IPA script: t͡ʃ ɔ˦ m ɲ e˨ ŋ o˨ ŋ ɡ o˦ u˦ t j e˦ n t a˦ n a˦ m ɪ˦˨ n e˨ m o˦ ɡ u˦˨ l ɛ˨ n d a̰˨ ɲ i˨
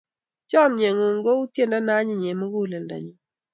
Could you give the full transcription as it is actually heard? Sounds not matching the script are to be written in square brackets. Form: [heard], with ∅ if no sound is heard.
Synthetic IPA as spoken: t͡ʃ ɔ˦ m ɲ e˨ ŋ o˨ ŋ ɡ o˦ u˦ t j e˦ n [d] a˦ n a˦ [ɲ] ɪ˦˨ [ɲ] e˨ m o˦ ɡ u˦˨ l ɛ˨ n d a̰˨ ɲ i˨